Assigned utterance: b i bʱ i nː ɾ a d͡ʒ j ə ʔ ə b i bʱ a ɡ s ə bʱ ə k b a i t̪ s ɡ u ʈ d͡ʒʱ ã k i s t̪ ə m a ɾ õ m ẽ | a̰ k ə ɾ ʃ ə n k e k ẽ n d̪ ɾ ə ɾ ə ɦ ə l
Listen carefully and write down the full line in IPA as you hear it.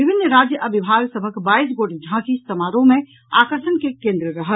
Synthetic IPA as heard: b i bʱ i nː ɾ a d͡ʒ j ə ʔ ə b i bʱ a ɡ s ə bʱ ə k b a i s ɡ o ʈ d͡ʒʱ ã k i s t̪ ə m a ɾ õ m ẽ | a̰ k ə ɾ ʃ ə n k e k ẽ n d̪ ɾ ə ɾ ə ɦ ə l